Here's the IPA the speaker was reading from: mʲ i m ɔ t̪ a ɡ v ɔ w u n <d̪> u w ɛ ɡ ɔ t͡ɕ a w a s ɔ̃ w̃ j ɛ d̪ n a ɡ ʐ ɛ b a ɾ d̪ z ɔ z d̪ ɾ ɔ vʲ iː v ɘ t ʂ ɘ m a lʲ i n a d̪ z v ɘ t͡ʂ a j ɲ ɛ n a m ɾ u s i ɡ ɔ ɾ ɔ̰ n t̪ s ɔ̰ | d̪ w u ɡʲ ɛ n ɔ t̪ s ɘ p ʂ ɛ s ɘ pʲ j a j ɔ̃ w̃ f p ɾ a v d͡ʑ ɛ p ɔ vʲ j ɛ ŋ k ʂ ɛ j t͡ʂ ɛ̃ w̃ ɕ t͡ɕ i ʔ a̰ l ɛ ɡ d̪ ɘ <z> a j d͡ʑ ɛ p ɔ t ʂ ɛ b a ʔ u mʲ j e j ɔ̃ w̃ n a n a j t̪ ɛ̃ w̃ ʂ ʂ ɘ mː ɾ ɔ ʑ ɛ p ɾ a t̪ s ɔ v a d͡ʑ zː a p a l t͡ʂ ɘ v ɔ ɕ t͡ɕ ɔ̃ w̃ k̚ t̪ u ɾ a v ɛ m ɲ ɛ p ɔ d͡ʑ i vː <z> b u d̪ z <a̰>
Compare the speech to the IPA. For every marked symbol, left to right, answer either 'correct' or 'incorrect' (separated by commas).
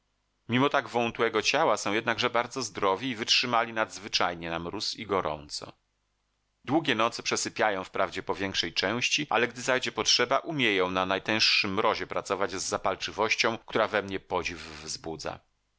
incorrect, correct, correct, correct